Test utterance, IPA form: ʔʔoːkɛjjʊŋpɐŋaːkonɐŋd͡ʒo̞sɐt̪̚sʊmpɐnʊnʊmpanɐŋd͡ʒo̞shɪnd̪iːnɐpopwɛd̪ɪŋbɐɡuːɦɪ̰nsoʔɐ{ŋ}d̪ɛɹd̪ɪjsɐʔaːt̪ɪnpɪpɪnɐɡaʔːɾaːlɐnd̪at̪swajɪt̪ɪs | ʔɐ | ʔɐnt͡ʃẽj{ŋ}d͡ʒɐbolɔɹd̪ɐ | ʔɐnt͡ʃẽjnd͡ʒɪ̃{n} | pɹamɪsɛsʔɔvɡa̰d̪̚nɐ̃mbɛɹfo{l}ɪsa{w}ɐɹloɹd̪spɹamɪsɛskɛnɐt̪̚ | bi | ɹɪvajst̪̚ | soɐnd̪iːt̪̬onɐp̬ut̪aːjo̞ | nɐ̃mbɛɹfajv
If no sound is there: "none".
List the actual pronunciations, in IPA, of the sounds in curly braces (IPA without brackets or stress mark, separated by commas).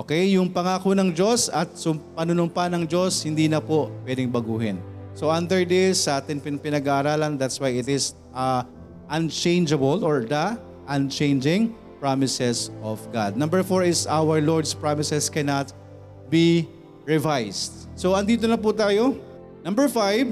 n, n, ŋ, ɹ, w